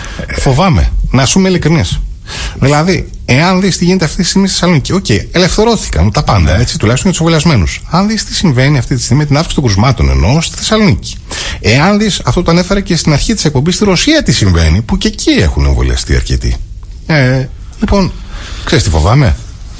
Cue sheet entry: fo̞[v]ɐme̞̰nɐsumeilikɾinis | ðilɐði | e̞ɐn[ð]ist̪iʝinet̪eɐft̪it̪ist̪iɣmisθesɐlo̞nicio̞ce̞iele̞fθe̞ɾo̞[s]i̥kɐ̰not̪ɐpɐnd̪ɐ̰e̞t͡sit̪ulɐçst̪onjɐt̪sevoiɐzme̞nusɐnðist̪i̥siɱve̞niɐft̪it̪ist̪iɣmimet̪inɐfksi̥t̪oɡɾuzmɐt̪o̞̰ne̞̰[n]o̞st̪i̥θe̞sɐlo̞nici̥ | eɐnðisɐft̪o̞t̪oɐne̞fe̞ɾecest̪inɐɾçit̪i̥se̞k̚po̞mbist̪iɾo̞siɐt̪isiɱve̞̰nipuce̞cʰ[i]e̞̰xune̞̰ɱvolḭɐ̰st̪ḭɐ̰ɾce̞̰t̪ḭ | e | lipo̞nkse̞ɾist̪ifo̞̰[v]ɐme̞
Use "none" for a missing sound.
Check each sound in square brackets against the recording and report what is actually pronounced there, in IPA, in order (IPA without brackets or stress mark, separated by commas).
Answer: v, ð, θ, n, i, v